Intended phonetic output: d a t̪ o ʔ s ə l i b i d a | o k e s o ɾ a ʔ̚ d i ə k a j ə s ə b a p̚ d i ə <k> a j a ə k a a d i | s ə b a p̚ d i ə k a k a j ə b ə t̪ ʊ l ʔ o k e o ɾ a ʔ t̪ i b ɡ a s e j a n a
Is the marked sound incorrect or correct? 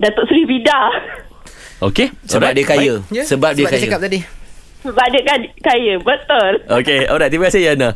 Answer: correct